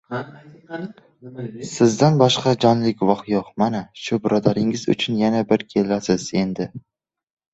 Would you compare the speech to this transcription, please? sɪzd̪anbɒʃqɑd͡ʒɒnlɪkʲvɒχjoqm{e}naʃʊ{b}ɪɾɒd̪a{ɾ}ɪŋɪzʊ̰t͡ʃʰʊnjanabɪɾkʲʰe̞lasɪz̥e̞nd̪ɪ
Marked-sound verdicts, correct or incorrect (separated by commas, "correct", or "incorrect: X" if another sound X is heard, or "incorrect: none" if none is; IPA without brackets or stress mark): incorrect: a, correct, correct